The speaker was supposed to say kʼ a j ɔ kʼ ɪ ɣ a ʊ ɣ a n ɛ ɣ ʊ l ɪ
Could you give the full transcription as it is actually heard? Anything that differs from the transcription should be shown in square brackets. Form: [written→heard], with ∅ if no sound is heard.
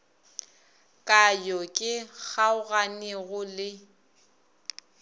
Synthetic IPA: kʼ a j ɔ kʼ ɪ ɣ a ʊ ɣ a n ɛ ɣ ʊ l ɪ